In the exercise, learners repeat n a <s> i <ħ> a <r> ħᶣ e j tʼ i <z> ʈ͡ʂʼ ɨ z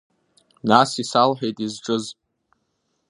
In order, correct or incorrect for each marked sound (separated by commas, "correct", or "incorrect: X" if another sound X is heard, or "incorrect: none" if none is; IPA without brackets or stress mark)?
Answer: correct, incorrect: s, incorrect: l, correct